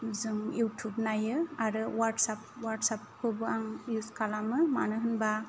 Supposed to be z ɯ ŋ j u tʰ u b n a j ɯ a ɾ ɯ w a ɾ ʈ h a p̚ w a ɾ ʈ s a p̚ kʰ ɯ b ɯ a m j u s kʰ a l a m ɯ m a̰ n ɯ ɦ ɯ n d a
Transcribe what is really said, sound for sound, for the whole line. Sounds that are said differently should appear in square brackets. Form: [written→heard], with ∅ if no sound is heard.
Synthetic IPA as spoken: z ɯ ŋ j u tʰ u b n a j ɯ a ɾ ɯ w a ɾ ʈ [h→s] a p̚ w a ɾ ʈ s a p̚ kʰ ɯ b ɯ a [m→ŋ] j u s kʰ a l a m ɯ m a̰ n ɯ ɦ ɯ n [d→b] a